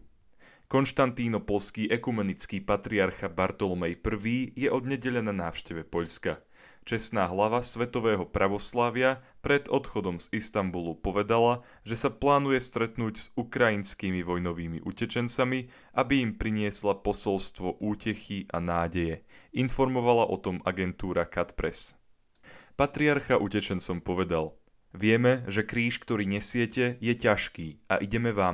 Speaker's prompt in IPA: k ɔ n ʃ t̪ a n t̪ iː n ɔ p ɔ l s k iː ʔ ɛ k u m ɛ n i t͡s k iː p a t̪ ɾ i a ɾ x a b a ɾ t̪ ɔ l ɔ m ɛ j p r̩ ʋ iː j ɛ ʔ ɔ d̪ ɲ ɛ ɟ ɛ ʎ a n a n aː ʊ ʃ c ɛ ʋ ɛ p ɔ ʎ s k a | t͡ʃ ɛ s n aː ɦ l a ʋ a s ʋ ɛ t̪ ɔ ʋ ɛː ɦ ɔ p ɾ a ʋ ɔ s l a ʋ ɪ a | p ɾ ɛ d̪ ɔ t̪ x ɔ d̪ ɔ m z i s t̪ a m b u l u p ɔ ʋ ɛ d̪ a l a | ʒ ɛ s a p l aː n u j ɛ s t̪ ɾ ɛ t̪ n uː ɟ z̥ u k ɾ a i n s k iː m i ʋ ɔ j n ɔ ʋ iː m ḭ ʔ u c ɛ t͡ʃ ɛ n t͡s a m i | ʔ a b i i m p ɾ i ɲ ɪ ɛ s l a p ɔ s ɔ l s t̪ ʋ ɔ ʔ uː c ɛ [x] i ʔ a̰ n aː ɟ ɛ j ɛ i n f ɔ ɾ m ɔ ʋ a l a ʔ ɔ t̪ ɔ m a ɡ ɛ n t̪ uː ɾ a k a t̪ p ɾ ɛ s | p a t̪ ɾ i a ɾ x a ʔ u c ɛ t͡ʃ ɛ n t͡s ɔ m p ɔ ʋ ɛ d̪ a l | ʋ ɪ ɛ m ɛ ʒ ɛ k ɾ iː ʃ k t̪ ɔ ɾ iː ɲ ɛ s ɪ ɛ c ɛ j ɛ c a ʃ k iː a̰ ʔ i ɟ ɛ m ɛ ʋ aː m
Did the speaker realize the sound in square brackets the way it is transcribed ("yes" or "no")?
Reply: yes